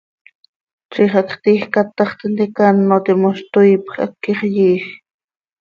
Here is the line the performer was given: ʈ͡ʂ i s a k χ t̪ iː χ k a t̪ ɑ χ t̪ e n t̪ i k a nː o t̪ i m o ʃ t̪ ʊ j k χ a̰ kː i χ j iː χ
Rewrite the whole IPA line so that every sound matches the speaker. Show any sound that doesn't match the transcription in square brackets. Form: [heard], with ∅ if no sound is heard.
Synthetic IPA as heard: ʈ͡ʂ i [χ] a k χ t̪ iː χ k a t̪ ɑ χ t̪ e n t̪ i k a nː o t̪ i m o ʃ t̪ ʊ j [p] χ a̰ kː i χ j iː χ